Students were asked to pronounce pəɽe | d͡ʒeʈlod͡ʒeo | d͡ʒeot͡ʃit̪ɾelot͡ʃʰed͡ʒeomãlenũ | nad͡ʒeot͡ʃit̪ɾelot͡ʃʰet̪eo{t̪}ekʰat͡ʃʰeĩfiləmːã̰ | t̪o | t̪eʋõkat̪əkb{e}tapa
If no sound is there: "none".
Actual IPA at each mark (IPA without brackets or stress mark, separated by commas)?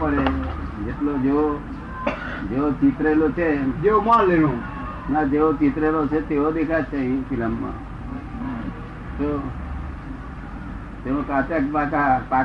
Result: d̪, a